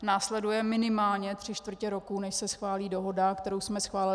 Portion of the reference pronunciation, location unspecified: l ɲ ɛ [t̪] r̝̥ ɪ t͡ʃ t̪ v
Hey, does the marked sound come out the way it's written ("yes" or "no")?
yes